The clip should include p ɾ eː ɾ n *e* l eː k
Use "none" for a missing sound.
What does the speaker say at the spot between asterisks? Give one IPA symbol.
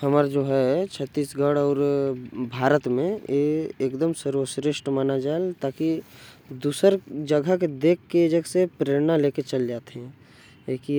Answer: a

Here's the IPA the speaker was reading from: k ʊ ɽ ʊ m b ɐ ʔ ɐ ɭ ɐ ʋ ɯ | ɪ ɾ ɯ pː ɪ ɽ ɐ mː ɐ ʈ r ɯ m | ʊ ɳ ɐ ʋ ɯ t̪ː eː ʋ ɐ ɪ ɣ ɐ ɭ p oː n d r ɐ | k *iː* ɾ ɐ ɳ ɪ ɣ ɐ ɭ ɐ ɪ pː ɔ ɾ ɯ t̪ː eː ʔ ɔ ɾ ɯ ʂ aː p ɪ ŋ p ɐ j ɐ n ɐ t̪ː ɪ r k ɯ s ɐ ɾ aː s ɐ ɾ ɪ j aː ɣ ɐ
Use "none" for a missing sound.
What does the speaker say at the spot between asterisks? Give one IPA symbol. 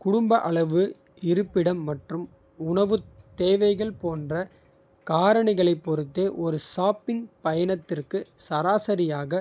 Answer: aː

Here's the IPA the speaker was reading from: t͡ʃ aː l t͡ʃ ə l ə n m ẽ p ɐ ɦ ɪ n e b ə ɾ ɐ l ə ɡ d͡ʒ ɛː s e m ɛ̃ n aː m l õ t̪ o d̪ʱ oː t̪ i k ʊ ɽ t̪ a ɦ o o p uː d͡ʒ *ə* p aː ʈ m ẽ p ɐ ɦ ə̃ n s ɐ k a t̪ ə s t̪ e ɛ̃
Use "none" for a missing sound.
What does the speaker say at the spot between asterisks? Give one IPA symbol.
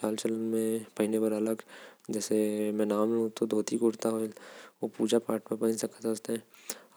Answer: a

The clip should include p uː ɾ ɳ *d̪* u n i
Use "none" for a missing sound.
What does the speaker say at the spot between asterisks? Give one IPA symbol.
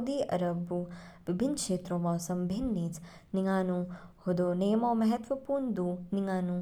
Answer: d̪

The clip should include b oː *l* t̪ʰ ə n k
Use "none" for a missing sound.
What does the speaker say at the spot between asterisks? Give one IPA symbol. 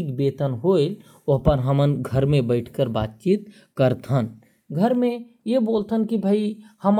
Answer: l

